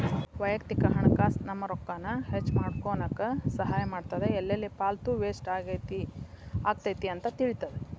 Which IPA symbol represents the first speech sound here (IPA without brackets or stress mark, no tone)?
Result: ʋ